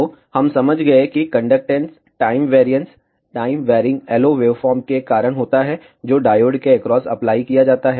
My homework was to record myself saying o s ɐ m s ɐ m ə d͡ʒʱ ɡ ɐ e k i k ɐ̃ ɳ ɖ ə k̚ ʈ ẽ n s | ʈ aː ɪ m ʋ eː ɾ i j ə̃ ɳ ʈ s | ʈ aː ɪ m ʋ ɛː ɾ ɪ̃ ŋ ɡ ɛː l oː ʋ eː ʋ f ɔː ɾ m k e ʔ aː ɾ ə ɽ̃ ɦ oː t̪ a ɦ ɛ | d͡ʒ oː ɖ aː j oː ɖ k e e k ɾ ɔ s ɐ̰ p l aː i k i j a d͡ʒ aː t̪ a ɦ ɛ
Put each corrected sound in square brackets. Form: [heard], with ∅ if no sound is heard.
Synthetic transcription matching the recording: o [h] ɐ m s ɐ m ə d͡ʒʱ ɡ ɐ e k i k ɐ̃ ɳ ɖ ə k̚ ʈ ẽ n s | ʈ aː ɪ m ʋ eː ɾ i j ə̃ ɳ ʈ s | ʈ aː ɪ m ʋ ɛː ɾ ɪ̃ ŋ ɡ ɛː l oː ʋ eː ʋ f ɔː ɾ m k e [k] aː ɾ ə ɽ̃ ɦ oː t̪ a ɦ ɛ | d͡ʒ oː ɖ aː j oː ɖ k e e k ɾ [ɔː] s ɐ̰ p l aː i k i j a d͡ʒ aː t̪ a ɦ ɛ